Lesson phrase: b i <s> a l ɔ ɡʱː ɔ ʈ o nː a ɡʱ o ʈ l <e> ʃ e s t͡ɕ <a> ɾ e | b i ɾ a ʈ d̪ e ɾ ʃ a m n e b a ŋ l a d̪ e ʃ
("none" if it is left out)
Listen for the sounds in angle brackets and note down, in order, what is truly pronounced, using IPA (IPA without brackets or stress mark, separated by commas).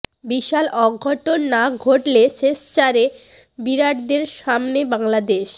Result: ʃ, e, a